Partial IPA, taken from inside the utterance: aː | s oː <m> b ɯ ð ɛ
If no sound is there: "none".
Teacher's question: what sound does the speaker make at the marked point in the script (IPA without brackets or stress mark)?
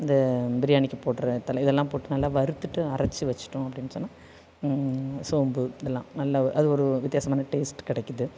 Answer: m